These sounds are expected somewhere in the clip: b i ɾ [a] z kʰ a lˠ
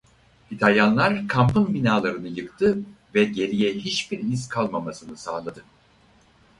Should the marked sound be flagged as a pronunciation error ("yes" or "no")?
yes